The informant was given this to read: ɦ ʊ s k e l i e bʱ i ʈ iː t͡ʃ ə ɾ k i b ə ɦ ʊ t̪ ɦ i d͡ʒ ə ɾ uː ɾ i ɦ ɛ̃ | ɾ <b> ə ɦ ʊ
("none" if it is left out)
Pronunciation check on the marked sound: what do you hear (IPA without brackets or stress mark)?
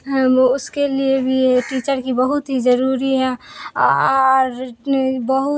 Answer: b